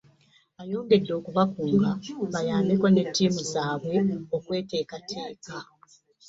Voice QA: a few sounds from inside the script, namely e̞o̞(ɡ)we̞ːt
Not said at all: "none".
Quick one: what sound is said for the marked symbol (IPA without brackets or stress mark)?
k